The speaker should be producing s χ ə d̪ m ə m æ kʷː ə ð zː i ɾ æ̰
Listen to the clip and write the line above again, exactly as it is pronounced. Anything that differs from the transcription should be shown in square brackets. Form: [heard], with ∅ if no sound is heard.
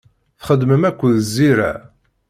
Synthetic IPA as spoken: [θ] χ ə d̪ m ə m æ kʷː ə ð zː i ɾ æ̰